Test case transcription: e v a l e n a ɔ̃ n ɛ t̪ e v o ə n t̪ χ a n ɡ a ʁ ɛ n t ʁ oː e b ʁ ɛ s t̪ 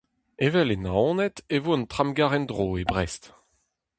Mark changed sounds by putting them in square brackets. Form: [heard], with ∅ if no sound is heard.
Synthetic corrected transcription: e v [ɛ] l e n a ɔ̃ n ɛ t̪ e v o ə n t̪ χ a [m] ɡ a ʁ ɛ n [d] ʁ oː e b ʁ ɛ s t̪